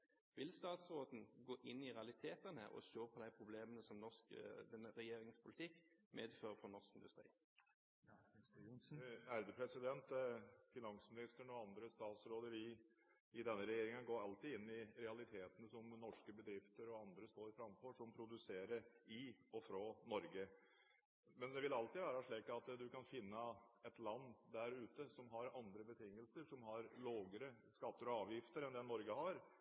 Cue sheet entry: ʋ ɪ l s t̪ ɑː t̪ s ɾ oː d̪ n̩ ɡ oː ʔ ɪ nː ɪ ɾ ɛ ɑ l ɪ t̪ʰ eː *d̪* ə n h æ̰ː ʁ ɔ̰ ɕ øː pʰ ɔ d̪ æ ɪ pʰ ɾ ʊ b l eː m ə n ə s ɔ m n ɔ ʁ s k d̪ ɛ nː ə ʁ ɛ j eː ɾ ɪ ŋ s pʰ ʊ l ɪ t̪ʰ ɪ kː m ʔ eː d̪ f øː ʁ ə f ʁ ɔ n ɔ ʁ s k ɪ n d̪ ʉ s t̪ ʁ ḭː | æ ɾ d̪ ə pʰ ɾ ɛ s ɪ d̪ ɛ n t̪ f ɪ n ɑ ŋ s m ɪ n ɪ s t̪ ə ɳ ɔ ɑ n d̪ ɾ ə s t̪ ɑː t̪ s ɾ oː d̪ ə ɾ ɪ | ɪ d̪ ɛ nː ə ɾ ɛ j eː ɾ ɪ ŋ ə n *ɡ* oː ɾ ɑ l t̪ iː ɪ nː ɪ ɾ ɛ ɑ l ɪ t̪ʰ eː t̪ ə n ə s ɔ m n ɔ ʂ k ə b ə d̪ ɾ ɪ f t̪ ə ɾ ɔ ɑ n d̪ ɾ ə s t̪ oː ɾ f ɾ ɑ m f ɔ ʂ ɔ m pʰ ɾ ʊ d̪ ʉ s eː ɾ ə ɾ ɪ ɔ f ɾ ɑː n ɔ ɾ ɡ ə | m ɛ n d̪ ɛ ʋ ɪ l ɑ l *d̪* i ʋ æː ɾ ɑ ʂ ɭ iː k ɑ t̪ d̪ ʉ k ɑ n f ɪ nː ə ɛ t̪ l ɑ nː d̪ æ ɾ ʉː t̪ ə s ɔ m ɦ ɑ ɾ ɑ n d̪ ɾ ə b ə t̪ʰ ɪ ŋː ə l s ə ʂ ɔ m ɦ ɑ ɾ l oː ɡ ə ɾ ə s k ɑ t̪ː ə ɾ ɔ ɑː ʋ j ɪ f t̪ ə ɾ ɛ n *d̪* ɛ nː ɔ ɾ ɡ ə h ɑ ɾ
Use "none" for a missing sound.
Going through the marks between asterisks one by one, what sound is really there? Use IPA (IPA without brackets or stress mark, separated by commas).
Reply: t̪, ɡ, t̪, d̪